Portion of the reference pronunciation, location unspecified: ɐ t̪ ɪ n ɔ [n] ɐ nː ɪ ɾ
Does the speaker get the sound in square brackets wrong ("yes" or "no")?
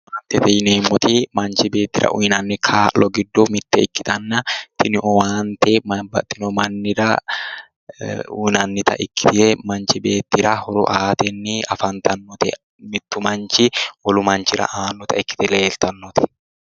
yes